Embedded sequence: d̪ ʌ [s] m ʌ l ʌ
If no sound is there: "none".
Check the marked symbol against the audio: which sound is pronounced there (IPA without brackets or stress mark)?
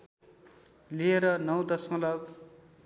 s